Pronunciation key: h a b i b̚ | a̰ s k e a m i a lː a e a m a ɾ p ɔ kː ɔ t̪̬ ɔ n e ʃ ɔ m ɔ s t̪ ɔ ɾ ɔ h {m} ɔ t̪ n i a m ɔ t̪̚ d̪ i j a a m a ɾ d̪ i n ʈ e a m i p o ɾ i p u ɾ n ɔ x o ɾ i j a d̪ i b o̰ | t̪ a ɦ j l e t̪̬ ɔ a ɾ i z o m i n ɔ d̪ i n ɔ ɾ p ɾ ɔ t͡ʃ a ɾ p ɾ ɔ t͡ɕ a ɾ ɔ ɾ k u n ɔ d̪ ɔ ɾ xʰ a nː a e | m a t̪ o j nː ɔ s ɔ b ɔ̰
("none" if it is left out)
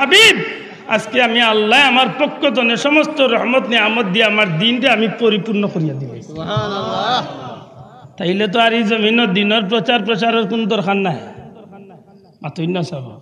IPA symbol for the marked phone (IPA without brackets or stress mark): m